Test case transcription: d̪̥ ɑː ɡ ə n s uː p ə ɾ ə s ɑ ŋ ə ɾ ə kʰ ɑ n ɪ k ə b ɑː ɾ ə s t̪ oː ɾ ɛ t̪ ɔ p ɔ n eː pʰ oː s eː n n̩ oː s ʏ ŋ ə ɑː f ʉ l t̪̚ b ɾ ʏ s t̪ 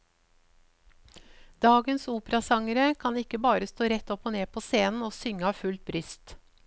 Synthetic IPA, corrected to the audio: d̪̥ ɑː ɡ ə n s uː p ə ɾ ɑ s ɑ ŋ ə ɾ ə kʰ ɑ n ɪ k ə b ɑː ɾ ə s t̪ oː ɾ ɛ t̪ ɔ p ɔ n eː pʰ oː s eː n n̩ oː s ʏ ŋ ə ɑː f ʉ l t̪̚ b ɾ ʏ s t̪